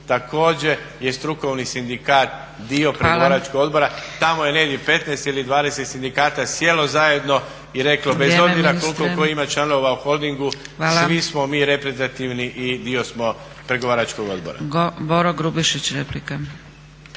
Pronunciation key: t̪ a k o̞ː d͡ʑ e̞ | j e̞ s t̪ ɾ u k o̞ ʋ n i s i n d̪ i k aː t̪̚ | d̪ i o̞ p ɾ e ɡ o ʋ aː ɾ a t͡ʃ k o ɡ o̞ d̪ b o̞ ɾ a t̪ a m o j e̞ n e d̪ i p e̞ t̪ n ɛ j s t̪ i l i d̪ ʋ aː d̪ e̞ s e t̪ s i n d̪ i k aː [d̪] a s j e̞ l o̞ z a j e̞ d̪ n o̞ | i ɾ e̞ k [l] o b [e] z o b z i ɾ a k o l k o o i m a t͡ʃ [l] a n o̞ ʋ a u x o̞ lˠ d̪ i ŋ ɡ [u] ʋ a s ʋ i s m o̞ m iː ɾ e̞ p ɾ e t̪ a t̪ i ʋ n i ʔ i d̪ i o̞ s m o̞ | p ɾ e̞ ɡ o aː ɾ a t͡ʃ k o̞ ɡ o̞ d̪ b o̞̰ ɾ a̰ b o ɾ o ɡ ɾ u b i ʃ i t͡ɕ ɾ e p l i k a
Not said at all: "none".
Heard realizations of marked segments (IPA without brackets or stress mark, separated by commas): t̪, l, e, l, u